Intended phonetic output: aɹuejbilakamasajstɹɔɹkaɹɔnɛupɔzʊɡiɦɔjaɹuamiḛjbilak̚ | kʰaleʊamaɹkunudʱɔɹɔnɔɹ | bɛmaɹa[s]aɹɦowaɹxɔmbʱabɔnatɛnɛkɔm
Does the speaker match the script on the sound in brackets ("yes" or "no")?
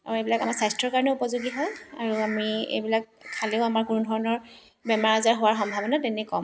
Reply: no